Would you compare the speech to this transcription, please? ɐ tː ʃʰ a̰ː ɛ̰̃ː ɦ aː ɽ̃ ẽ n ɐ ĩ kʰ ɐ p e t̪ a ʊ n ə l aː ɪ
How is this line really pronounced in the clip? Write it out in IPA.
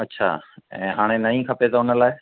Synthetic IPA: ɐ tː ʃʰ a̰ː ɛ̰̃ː ɦ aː ɽ̃ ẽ n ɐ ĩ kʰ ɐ p e t̪ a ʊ n ə l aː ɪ